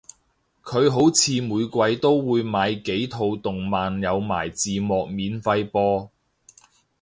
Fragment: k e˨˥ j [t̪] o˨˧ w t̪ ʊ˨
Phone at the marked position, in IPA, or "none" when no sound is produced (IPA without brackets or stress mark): t̪ʰ